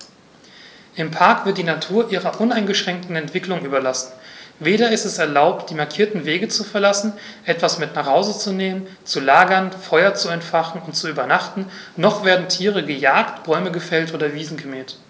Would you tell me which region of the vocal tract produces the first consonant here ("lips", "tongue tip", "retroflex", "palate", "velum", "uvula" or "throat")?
throat